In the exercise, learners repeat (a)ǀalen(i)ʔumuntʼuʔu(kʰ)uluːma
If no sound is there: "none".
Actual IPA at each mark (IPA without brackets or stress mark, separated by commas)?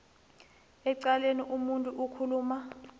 ɛ, i, kʰ